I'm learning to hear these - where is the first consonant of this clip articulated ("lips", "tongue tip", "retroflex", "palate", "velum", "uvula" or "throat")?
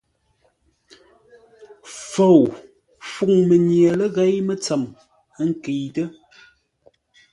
lips